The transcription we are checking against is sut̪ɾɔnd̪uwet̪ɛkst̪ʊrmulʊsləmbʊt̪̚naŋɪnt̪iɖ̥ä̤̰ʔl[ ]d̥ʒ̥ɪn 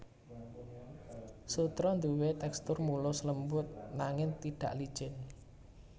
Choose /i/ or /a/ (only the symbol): i